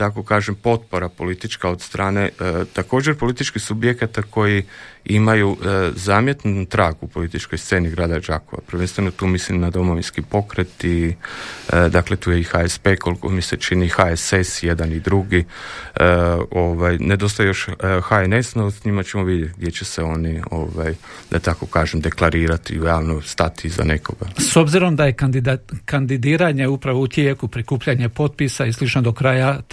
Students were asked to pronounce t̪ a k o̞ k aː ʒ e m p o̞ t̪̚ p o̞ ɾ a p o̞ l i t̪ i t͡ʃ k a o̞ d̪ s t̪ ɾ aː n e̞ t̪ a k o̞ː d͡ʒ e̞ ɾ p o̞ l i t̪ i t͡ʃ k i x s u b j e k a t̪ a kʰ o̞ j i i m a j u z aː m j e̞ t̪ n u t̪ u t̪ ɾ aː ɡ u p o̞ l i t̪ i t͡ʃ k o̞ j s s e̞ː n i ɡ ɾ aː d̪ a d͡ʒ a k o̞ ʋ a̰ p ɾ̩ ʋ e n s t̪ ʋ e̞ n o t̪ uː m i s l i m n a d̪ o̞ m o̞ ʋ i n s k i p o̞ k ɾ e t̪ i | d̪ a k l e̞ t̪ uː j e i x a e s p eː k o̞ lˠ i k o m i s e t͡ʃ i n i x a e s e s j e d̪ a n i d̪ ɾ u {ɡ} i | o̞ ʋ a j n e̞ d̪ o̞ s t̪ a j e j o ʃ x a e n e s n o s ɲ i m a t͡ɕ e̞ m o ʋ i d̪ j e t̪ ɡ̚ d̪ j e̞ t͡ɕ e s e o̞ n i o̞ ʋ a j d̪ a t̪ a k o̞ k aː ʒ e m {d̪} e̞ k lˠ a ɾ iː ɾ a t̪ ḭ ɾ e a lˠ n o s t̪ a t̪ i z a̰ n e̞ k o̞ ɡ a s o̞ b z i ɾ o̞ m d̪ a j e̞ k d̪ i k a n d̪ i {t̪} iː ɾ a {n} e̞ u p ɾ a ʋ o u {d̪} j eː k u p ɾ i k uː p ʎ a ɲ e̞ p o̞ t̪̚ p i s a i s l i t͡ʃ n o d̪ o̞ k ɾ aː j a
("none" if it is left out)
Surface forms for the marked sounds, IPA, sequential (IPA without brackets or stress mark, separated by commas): ɡ, d̪, d̪, ɲ, t̪